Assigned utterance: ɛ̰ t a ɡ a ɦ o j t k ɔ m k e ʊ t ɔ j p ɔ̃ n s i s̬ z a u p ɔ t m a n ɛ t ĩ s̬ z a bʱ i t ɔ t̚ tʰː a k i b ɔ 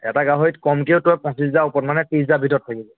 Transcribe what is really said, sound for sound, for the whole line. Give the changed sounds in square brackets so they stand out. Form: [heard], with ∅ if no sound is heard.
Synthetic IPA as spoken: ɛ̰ t a ɡ a ɦ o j t k ɔ m k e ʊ t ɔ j p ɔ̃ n s i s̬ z a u p ɔ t m a n ɛ t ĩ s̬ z a bʱ i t ɔ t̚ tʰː a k i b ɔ